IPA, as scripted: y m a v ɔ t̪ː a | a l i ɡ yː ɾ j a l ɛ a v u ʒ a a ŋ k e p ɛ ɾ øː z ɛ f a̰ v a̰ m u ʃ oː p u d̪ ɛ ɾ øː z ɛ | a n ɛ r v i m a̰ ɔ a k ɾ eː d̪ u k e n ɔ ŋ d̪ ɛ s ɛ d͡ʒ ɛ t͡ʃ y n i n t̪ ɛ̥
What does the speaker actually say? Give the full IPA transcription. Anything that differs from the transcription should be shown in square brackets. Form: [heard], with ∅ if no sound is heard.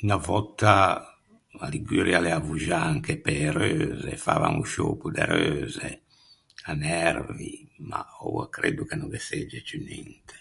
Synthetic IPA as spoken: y [n] a v ɔ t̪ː a | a l i ɡ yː ɾ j a l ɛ a v u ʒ a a ŋ k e p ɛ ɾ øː z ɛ f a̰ v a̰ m u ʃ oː p u d̪ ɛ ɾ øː z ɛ | a n ɛ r v i m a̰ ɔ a k ɾ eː d̪ u k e n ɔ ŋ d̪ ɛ s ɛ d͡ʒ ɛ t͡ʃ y n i n t̪ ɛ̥